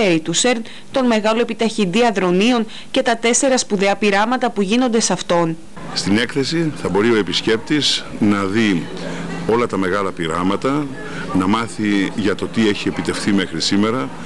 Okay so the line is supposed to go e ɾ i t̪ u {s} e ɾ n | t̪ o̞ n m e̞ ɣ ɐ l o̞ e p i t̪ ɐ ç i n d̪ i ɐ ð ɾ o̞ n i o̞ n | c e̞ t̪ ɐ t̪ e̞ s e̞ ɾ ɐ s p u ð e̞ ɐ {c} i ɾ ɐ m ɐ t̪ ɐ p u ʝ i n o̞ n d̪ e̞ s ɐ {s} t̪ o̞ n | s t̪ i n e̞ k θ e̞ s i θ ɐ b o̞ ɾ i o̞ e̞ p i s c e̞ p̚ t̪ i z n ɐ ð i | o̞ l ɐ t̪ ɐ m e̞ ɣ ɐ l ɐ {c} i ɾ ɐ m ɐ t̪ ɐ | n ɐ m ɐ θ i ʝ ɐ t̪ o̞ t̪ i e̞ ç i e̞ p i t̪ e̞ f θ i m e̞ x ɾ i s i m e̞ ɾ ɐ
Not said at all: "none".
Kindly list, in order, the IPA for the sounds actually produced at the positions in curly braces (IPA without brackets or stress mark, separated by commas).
s, p, f, p